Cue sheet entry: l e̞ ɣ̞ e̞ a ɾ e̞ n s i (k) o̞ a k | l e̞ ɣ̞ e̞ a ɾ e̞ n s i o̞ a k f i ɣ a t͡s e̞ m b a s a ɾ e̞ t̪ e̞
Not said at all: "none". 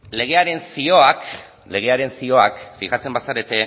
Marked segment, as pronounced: none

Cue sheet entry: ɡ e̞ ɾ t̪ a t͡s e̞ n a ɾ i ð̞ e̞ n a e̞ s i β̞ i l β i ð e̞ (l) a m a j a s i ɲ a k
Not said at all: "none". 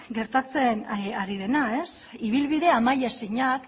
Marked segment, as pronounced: none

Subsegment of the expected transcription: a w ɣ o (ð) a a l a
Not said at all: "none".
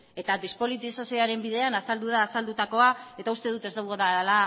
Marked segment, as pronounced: ð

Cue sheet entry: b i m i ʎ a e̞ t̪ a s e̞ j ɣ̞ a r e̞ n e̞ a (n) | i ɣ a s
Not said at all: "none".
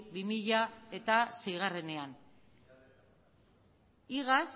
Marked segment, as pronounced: n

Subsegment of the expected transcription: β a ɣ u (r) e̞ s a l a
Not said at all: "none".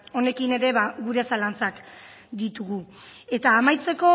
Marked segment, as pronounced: ɾ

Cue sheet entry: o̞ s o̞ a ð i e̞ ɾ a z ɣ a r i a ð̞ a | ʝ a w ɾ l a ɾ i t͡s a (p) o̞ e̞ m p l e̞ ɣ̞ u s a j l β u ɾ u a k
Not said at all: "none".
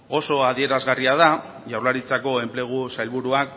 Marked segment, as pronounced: k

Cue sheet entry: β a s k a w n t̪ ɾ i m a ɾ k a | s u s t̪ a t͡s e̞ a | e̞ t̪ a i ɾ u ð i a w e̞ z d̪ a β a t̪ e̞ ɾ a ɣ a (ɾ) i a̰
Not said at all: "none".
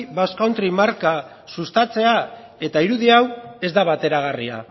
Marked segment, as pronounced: r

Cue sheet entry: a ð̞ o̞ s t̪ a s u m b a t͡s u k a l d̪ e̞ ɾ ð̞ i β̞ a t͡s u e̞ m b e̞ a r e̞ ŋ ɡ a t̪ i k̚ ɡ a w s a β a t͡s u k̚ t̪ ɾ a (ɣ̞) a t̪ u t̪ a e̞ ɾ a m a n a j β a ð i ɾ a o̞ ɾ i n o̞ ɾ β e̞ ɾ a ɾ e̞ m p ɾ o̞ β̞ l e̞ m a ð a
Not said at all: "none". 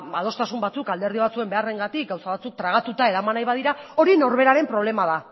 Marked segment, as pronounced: ɣ̞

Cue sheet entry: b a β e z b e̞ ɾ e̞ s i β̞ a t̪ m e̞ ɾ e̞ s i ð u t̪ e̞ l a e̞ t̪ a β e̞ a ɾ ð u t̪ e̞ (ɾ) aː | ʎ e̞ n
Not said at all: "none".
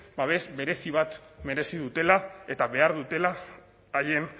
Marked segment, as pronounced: l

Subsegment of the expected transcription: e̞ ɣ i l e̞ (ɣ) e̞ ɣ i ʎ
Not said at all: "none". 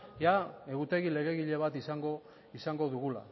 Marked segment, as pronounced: ɣ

